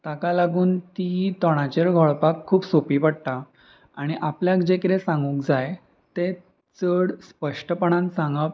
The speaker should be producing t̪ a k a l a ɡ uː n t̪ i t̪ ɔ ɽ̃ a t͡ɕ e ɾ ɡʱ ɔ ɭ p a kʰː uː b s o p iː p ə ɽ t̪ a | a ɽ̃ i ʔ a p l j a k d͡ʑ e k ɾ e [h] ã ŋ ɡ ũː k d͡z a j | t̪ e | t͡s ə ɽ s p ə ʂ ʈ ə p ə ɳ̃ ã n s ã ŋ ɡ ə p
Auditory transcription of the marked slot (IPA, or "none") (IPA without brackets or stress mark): s